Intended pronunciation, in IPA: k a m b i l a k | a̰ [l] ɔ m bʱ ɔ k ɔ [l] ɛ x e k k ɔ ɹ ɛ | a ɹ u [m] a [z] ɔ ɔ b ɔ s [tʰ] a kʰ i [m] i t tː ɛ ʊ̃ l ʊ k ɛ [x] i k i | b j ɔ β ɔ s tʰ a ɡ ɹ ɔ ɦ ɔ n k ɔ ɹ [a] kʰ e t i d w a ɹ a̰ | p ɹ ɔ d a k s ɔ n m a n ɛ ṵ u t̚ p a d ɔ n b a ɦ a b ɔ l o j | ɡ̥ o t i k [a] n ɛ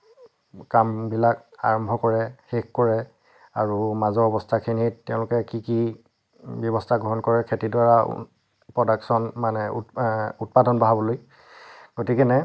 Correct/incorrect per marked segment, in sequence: incorrect, incorrect, correct, correct, correct, incorrect, incorrect, incorrect, incorrect

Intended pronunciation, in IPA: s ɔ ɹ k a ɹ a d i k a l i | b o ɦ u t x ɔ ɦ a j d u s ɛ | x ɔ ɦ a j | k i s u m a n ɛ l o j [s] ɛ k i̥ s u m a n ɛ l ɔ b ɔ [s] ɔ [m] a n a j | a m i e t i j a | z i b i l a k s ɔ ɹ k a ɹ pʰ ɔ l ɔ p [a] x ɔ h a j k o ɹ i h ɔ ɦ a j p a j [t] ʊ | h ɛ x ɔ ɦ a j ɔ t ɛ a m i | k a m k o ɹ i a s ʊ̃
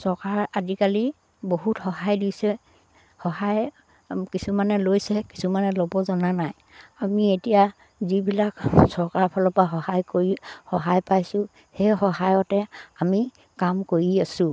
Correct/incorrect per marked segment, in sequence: correct, incorrect, incorrect, correct, incorrect

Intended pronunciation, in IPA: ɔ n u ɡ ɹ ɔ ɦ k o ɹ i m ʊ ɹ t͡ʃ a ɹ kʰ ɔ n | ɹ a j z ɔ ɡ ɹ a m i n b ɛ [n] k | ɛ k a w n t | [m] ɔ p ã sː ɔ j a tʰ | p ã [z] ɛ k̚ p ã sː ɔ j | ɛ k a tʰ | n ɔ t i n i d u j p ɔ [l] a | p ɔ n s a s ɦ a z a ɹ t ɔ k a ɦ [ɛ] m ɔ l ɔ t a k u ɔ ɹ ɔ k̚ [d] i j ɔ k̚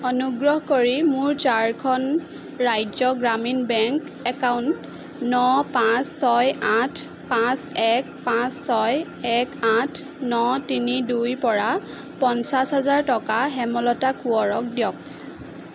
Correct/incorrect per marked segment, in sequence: incorrect, incorrect, incorrect, incorrect, correct, correct

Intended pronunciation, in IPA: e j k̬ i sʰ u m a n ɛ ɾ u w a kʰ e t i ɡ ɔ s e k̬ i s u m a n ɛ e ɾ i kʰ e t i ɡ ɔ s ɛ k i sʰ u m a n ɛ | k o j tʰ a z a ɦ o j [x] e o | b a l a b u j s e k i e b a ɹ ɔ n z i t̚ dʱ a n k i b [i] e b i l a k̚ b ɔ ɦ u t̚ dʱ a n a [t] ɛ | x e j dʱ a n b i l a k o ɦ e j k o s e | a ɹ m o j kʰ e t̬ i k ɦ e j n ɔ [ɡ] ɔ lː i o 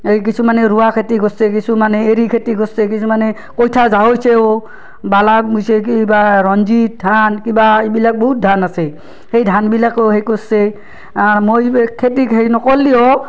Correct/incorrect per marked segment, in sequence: incorrect, incorrect, incorrect, incorrect

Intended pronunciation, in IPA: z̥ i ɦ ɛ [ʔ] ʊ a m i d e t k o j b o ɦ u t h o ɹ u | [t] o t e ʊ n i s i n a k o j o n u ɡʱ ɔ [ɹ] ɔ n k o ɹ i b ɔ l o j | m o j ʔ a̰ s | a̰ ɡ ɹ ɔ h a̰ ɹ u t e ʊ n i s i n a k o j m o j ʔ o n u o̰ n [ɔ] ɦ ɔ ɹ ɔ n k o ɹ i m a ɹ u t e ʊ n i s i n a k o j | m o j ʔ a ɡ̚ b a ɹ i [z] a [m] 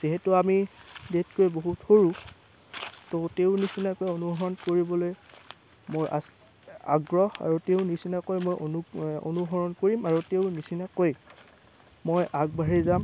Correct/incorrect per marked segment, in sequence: incorrect, correct, correct, incorrect, correct, correct

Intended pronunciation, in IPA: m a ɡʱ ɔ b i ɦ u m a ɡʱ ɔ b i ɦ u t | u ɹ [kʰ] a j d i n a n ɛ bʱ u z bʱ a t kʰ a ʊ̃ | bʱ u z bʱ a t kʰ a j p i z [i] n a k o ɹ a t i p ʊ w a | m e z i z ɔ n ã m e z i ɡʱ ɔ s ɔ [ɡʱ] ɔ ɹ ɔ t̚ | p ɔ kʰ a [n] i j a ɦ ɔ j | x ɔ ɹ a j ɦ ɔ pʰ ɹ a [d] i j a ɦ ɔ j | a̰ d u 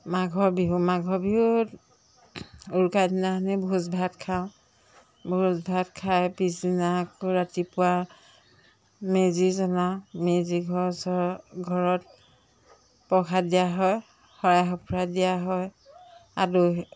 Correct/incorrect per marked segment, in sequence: incorrect, correct, correct, incorrect, correct

